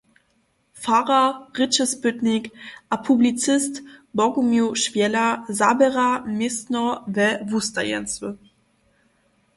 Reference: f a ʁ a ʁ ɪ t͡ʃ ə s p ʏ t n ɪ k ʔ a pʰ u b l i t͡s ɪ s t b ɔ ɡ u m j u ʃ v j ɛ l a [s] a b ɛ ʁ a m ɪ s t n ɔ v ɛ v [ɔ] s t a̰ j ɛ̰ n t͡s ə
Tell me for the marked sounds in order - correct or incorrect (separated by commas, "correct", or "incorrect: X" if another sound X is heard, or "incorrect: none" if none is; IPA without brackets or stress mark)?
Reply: incorrect: z, incorrect: u